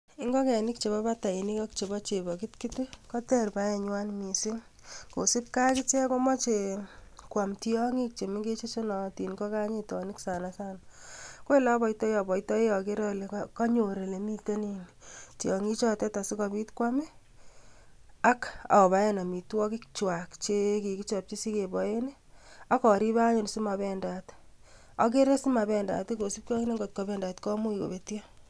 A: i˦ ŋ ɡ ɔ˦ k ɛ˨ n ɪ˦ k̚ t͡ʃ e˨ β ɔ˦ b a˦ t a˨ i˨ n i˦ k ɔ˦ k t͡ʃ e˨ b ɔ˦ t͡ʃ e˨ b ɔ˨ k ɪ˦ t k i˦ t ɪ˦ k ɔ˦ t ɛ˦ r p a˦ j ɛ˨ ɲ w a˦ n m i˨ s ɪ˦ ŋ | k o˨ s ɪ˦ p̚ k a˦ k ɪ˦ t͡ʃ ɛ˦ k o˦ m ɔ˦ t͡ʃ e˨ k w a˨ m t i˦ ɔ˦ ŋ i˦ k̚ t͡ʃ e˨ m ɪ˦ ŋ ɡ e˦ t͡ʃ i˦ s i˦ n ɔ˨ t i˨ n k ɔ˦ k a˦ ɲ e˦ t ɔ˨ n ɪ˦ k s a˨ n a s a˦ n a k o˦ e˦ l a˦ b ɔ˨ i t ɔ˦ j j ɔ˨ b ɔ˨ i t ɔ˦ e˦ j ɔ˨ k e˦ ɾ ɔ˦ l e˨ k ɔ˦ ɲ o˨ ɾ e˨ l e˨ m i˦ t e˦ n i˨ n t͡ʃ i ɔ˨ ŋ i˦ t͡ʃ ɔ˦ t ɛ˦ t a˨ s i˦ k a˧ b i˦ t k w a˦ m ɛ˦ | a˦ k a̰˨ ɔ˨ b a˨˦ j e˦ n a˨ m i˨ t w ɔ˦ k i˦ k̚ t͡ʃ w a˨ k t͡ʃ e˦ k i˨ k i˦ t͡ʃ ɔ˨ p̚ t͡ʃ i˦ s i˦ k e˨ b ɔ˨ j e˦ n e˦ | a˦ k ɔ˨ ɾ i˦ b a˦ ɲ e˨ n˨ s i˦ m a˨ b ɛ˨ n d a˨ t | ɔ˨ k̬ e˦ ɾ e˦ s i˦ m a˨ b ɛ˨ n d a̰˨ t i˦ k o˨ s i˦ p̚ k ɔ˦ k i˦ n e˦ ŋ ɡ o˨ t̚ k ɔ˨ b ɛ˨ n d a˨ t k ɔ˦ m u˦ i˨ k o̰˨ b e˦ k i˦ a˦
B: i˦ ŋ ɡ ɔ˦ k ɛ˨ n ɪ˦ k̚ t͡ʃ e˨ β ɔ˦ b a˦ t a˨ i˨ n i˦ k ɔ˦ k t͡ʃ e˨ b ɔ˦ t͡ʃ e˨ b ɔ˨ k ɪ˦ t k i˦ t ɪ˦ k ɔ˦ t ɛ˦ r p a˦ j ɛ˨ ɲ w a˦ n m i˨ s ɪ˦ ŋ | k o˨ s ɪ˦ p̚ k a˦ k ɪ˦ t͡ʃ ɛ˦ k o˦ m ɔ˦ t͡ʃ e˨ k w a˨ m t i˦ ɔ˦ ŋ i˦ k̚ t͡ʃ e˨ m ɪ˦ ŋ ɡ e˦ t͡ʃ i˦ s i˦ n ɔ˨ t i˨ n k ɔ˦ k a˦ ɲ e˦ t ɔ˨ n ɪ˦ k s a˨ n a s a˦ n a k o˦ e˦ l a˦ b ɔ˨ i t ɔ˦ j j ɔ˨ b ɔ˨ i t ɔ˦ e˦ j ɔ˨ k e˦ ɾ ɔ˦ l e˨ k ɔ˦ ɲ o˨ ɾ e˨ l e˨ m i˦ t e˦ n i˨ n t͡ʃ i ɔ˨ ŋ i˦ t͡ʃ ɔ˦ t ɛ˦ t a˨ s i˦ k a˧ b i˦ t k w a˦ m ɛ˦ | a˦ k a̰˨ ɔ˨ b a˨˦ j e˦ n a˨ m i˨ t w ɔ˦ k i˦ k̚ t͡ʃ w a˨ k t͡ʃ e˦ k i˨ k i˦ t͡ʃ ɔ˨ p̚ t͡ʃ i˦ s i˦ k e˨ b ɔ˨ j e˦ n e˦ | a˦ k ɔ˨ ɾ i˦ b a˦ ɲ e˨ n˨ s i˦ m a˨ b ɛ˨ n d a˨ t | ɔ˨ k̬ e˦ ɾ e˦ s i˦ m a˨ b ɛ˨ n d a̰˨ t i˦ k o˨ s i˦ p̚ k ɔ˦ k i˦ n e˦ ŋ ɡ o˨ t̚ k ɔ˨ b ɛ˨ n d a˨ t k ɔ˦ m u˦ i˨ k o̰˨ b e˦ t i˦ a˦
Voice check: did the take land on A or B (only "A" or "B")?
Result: B